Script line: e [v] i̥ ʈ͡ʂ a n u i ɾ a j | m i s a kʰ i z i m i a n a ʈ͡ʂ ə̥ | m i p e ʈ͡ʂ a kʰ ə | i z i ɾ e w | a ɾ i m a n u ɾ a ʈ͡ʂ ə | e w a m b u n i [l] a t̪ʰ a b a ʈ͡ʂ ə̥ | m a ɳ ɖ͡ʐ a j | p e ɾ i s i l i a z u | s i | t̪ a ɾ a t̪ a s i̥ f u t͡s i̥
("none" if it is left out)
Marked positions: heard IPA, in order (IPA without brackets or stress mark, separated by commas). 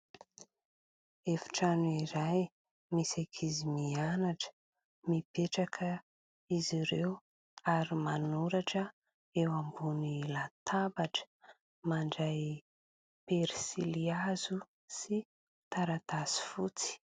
f, l